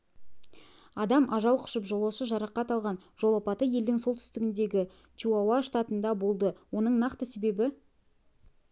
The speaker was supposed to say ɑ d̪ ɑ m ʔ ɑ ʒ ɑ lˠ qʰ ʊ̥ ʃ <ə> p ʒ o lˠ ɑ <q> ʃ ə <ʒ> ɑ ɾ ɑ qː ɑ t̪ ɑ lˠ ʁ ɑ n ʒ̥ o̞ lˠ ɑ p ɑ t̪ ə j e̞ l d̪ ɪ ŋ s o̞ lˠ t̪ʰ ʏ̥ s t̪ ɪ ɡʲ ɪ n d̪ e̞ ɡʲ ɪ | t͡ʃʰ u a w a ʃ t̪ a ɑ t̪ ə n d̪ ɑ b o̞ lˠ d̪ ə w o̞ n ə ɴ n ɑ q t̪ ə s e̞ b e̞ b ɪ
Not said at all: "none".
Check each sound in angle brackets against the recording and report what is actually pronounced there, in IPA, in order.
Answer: ə, none, ʒ

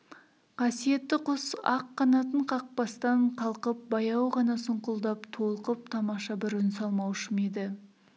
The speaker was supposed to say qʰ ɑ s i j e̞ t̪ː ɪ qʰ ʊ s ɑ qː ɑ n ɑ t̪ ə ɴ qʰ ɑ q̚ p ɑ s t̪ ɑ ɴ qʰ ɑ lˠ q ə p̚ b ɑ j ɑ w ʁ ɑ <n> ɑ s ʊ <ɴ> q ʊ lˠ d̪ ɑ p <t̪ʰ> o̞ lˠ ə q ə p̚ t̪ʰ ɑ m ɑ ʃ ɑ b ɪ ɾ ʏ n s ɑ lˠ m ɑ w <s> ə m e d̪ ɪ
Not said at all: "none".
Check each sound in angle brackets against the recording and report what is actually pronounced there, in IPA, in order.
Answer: n, ɴ, t̪ʰ, ʃ

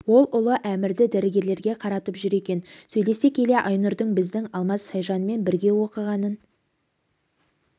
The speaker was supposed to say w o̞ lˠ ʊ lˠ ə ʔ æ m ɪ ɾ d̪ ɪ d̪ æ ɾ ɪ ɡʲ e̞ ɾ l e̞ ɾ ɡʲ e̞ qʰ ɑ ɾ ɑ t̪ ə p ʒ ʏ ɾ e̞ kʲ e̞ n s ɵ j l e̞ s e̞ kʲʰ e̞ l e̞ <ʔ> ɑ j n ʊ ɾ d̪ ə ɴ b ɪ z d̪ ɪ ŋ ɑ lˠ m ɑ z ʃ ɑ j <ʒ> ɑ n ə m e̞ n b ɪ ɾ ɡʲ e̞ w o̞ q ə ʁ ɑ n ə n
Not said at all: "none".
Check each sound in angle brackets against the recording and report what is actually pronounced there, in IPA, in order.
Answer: ʔ, ʒ

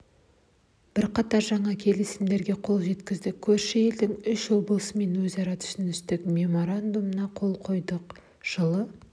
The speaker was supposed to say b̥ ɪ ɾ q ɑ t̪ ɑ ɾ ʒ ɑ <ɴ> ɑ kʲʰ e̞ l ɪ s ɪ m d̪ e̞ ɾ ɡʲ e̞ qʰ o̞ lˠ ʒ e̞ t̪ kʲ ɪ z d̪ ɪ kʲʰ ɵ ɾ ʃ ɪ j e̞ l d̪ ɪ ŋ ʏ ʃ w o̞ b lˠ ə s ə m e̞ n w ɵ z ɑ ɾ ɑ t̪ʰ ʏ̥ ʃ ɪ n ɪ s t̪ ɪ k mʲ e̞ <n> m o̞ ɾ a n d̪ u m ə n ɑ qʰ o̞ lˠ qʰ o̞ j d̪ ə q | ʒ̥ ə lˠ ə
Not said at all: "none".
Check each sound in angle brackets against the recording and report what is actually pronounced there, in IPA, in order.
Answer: ɴ, none

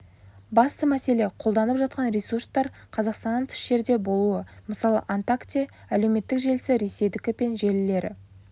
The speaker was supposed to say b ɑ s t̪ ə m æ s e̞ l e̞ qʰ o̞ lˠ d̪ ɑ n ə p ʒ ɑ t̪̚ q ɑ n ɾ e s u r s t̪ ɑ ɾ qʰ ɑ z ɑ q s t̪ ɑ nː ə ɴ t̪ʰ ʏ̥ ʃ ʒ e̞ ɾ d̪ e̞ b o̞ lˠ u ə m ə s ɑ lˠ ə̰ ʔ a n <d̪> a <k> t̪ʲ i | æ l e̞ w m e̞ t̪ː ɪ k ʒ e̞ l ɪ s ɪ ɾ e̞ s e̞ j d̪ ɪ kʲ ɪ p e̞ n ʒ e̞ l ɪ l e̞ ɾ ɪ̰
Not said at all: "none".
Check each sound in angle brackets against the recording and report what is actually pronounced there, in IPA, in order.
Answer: t̪, k

